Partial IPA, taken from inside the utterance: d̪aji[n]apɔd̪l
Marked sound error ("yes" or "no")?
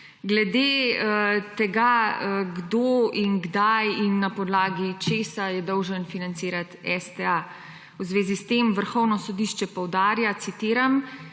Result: yes